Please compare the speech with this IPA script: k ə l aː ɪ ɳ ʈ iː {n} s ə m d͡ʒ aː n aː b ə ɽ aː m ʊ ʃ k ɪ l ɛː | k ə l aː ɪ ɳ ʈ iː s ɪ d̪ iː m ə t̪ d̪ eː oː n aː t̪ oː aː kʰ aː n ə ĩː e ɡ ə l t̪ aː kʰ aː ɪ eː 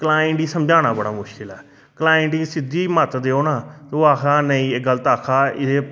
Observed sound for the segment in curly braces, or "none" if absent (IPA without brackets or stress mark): none